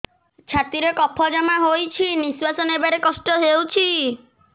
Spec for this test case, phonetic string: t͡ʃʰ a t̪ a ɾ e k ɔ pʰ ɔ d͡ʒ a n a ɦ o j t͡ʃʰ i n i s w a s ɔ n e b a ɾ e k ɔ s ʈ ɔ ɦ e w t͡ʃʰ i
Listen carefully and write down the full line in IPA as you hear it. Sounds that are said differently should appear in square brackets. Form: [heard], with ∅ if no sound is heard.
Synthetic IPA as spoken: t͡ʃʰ a t̪ [i] ɾ e k ɔ pʰ ɔ d͡ʒ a [m] a ɦ o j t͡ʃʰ i n i s w a s ɔ n e b a ɾ e k ɔ s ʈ ɔ ɦ e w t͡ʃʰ i